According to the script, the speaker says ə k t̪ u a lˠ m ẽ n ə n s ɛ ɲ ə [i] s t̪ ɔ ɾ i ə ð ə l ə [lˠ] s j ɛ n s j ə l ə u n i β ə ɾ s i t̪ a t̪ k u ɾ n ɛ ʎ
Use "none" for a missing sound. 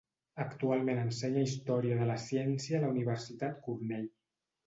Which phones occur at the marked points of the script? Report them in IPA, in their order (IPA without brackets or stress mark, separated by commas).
i, none